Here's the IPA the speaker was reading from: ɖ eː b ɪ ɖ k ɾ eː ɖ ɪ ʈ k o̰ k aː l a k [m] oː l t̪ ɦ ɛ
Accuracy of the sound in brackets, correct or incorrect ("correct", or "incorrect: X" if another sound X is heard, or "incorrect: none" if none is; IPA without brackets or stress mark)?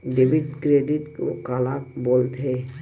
incorrect: b